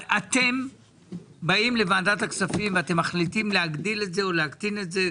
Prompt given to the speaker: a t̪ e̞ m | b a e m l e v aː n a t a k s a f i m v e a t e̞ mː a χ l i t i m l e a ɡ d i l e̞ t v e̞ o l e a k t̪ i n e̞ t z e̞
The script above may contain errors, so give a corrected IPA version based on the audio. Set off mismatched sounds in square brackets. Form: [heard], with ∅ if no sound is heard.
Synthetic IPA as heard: a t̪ e̞ m | b a [i] m l e v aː [d] a t a k s a f i m v e a t e̞ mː a χ l i t i m l e a ɡ d i l e̞ t [z] e̞ o l e a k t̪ i n e̞ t z e̞